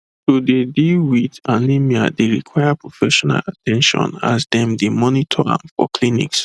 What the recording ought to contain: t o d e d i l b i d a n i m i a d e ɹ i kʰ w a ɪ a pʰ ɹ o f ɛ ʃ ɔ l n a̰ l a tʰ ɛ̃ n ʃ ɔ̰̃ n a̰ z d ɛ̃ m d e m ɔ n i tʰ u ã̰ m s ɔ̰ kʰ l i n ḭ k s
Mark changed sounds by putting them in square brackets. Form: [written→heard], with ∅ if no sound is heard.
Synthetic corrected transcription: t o d e d i l [b→w] i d a n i m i a d e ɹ i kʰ w a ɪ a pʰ ɹ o f ɛ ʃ ɔ [l→∅] n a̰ l a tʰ ɛ̃ n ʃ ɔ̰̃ n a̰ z d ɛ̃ m d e m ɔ n i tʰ [u→ɔ] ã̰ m [s→f] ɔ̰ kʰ l i n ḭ k s